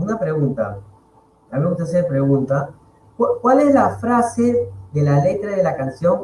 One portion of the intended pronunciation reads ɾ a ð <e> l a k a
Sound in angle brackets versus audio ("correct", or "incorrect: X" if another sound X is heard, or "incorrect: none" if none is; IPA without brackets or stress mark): correct